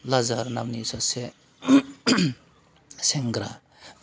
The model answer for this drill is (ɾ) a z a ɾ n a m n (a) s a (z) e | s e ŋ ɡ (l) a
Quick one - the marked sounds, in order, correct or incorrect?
incorrect: l, incorrect: i, incorrect: s, incorrect: ɾ

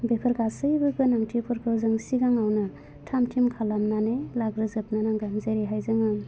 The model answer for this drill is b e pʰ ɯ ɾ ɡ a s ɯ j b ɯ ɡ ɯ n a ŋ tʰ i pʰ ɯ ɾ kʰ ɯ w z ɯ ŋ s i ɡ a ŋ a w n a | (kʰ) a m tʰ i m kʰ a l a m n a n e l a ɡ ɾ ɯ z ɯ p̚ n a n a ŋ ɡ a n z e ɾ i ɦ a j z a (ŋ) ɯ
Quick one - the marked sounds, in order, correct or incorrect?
incorrect: tʰ, correct

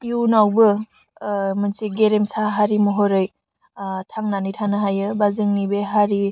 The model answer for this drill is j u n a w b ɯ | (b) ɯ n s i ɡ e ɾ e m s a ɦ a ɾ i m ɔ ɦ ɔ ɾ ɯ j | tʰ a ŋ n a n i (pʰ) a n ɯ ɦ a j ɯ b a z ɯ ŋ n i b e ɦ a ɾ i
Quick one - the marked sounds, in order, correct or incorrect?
incorrect: m, incorrect: tʰ

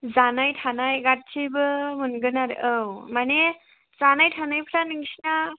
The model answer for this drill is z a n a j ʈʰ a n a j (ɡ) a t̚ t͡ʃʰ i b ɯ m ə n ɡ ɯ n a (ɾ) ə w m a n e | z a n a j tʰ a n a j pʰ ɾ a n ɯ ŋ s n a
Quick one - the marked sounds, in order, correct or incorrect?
correct, correct

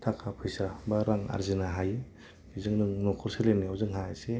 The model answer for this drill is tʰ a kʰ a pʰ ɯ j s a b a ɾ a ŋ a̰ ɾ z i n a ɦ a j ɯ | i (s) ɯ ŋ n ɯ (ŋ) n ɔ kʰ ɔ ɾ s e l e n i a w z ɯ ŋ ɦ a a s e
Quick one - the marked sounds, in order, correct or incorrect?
incorrect: z, correct

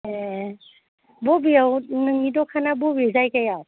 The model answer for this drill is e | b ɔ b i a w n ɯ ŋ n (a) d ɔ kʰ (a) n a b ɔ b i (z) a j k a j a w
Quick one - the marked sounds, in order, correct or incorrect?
incorrect: i, correct, correct

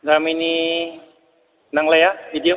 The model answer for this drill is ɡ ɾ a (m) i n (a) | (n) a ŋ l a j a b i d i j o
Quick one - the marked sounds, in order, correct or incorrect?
correct, incorrect: i, correct

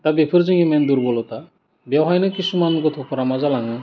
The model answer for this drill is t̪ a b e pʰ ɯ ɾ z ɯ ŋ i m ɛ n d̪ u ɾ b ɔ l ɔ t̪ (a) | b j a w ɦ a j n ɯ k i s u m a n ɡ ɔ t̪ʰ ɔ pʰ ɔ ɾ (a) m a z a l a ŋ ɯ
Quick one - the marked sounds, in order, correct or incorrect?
correct, correct

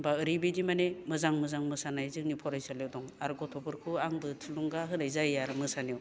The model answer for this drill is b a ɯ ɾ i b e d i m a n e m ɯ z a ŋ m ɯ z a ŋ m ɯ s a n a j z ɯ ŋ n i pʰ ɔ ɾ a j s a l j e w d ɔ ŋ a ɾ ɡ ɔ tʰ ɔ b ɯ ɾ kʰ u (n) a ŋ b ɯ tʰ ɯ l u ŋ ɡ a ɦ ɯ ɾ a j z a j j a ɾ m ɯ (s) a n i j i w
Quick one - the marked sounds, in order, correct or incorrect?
incorrect: none, correct

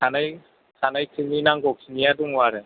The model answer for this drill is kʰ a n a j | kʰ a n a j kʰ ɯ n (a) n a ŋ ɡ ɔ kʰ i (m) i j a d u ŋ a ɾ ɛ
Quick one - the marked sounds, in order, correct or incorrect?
incorrect: i, incorrect: n

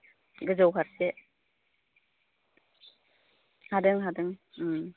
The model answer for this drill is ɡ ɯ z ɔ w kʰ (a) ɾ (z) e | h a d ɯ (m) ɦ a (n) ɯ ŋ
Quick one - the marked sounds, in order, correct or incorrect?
correct, incorrect: s, incorrect: ŋ, incorrect: d

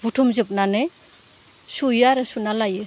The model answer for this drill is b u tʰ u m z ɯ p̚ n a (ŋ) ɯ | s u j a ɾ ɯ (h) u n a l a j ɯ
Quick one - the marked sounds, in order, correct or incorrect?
incorrect: n, incorrect: s

